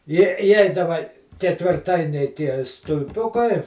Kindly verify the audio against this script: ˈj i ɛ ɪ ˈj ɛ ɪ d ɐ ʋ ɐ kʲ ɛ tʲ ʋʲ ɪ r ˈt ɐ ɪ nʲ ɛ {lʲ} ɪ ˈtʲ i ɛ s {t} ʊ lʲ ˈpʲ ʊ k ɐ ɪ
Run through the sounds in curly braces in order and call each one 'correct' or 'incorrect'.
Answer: incorrect, correct

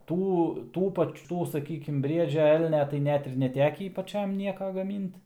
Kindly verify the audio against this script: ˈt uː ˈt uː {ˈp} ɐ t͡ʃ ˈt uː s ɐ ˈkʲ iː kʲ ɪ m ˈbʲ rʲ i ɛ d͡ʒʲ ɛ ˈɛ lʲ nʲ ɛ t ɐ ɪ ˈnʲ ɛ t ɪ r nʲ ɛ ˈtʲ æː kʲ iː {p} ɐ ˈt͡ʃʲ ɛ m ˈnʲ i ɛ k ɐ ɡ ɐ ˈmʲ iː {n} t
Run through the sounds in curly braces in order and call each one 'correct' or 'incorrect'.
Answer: correct, correct, correct

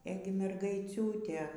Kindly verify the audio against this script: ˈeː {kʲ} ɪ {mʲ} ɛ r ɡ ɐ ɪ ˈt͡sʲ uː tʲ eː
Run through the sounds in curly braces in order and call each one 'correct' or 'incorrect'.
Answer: incorrect, correct

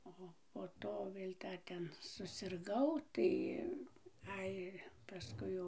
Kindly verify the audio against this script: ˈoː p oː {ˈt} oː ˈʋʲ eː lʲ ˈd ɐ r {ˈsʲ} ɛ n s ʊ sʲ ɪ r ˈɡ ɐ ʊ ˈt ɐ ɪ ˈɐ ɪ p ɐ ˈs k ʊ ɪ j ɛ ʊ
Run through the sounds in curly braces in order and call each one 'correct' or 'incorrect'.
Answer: correct, incorrect

